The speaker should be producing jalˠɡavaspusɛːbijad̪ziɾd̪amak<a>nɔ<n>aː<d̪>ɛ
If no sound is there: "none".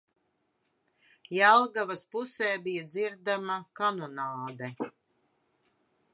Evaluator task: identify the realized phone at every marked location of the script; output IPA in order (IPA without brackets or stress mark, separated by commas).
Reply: a, n, d̪